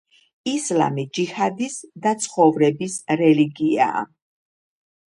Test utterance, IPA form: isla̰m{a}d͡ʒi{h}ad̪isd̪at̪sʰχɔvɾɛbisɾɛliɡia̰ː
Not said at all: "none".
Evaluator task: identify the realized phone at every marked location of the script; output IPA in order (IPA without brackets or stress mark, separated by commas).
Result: i, h